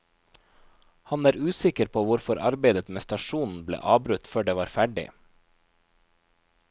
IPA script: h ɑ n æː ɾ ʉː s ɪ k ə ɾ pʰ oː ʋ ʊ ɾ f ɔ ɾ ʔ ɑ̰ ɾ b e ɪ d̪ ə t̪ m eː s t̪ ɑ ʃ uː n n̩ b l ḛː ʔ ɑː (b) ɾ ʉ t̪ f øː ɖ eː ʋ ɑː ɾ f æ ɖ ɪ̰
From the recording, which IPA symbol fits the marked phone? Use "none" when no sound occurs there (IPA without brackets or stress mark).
b